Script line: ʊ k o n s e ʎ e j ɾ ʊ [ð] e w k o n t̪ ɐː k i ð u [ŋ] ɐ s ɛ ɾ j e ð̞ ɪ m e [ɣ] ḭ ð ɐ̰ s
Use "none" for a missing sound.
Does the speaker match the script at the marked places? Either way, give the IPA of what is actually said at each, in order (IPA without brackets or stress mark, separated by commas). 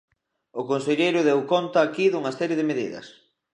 ð, ŋ, ð